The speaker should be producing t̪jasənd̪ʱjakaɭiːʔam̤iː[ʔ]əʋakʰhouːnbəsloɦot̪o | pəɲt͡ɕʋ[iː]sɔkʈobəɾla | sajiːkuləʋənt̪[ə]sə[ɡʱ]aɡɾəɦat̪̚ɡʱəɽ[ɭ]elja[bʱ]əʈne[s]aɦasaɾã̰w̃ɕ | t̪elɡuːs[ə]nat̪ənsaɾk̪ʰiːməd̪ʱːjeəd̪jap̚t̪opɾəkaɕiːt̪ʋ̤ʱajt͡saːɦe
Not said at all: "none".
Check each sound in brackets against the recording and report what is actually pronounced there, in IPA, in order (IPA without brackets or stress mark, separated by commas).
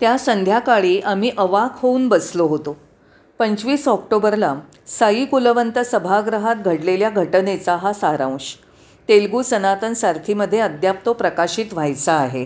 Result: ʔ, iː, ə, bʱ, l, ɡʱ, t͡s, ə